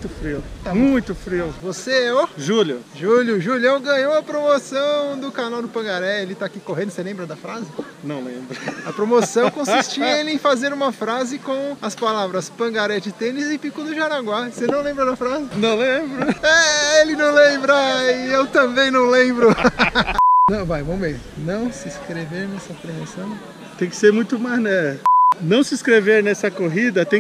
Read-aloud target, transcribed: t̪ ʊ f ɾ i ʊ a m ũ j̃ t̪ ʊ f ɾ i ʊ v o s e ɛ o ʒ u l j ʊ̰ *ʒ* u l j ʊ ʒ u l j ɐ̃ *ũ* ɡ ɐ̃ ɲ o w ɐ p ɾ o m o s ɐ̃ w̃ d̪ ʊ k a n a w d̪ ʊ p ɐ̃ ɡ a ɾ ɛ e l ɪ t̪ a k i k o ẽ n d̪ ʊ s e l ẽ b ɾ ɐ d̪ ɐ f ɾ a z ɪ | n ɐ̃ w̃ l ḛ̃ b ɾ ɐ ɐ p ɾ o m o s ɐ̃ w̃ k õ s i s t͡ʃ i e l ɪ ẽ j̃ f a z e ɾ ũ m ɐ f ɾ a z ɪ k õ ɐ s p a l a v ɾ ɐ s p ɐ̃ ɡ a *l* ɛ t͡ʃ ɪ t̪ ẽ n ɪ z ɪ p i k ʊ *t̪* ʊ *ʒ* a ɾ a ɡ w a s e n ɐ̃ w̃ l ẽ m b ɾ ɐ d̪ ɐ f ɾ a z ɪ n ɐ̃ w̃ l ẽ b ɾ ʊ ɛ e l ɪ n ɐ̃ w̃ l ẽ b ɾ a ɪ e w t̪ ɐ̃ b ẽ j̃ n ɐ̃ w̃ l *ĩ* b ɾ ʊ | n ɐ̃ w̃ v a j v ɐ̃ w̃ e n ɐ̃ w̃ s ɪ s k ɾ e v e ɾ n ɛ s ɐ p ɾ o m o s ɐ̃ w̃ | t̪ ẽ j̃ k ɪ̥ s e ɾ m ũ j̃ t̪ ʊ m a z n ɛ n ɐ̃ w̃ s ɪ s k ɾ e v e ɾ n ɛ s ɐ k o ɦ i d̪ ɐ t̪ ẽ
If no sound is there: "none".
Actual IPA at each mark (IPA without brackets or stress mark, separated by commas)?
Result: ʒ, w̃, ɾ, d̪, ʒ, ẽ